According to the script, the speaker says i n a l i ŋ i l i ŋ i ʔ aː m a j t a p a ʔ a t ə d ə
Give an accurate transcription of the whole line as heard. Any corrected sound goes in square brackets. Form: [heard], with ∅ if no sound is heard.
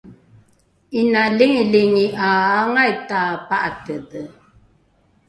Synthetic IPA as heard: i n a l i ŋ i l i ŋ i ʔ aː [ŋ] a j t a p a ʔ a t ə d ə

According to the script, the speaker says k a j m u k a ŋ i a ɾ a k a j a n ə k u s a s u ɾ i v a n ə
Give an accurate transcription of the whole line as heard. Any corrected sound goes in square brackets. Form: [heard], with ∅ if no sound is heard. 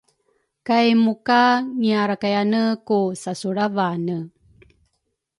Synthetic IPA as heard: k a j m u k a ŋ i a ɾ a k a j a n ə k u s a s u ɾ [a] v a n ə

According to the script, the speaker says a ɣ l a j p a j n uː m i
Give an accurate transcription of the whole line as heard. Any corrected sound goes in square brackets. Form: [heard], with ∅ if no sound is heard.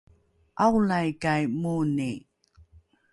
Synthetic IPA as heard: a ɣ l a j [k] a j [m] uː [n] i

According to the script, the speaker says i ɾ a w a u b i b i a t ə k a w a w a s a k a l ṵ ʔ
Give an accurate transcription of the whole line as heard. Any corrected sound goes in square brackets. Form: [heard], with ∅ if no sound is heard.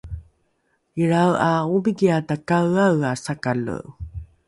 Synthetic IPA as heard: i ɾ a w a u b i [ɡ] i a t [a] k a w a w a s a k a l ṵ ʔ

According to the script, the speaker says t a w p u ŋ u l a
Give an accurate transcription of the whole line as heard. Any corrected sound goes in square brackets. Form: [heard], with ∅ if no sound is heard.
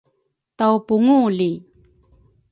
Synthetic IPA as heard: t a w p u ŋ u l [i]

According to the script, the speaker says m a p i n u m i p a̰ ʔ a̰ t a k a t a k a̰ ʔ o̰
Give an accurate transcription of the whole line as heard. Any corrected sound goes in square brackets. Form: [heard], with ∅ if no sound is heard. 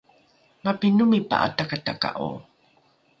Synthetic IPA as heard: m a p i n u m i p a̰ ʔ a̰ t a k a t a k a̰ ʔ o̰

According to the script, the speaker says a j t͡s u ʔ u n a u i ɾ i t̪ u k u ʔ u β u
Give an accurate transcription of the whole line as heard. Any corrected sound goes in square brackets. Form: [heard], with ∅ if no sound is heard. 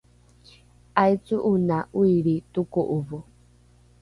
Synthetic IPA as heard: a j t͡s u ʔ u n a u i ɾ i t̪ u k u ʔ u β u

